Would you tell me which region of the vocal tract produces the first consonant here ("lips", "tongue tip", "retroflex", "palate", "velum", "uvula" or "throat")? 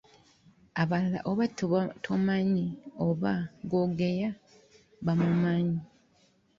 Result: lips